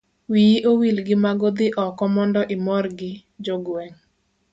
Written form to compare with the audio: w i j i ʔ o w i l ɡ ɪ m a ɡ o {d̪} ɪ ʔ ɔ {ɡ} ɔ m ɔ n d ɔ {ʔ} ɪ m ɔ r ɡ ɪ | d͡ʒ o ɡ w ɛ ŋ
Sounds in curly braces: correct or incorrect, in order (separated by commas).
correct, incorrect, correct